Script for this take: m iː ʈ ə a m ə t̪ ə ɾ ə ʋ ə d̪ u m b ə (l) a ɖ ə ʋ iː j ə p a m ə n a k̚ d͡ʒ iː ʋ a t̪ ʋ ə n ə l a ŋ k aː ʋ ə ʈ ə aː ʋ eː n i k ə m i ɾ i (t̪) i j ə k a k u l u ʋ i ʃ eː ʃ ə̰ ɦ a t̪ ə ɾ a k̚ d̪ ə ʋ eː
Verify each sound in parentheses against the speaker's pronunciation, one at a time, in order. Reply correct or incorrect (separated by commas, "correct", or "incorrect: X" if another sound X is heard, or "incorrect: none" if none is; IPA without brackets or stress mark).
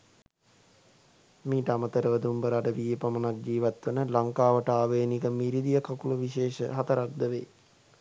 incorrect: ɾ, incorrect: d̪